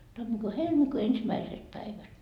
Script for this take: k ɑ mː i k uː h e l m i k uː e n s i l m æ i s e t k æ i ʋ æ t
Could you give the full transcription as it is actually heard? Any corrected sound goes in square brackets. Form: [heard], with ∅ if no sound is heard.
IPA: [t] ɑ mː i k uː h e l m i k uː e n s i [∅] m æ i s e t [p] æ i ʋ æ t